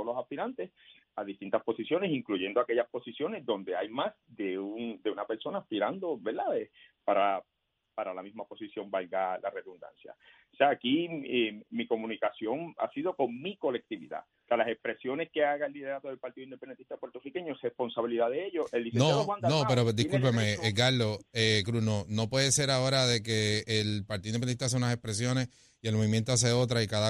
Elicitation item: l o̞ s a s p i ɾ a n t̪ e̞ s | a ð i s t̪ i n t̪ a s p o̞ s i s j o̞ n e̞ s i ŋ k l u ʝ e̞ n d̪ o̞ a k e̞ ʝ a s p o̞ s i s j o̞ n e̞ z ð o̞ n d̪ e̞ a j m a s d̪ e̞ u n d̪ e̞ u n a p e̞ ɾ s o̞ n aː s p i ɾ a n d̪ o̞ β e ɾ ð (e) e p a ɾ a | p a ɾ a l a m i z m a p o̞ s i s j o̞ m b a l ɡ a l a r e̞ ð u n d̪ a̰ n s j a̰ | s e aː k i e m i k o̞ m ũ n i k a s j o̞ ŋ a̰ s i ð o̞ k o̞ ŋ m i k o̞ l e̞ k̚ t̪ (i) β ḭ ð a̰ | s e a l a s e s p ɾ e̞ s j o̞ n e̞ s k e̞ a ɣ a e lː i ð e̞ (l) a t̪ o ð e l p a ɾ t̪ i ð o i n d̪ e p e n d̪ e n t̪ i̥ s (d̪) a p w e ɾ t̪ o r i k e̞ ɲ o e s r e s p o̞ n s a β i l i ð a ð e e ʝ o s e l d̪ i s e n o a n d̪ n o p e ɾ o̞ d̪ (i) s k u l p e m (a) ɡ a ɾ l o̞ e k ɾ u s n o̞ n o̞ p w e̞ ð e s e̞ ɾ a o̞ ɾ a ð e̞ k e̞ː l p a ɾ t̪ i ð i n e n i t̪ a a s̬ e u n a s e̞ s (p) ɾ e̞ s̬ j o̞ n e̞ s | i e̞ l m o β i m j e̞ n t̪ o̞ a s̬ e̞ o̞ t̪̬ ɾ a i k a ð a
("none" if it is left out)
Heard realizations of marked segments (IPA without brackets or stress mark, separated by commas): a, i, ɾ, t̪, i, e, p